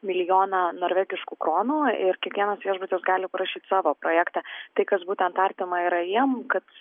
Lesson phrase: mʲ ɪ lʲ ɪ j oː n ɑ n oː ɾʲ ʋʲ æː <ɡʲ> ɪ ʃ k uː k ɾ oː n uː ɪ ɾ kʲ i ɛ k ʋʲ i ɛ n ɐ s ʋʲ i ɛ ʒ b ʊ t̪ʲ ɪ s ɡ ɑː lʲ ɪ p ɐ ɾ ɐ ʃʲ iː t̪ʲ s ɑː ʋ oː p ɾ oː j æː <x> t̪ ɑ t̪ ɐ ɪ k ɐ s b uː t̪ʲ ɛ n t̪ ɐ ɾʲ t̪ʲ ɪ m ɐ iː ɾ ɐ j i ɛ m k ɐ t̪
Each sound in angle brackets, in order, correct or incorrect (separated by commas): correct, incorrect